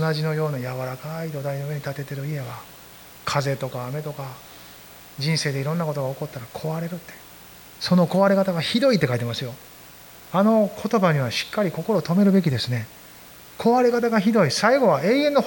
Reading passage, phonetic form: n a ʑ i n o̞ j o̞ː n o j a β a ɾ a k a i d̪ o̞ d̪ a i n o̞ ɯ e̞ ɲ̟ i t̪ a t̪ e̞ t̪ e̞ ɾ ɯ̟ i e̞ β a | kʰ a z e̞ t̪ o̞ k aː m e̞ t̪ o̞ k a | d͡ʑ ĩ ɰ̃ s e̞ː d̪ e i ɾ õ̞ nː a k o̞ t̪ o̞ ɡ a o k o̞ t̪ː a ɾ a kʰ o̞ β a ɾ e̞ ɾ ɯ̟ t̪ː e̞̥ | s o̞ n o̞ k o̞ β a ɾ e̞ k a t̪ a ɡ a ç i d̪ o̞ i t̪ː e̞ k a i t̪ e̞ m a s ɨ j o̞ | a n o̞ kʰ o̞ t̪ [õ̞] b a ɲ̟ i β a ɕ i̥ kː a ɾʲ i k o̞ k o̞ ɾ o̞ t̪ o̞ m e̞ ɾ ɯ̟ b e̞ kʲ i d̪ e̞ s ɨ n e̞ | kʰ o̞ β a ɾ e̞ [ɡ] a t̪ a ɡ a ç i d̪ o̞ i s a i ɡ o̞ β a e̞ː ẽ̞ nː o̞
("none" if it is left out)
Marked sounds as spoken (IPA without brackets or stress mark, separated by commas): o̞, k